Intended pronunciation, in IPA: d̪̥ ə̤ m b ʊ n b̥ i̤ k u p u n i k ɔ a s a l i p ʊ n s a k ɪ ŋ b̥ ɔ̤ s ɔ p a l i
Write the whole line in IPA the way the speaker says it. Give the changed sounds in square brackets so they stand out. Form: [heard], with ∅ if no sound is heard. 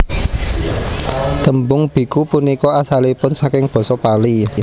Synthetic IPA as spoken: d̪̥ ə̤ m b ʊ [ŋ] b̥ i̤ k u p u n i k ɔ a s a l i p ʊ n s a k ɪ ŋ b̥ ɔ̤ s ɔ p a l i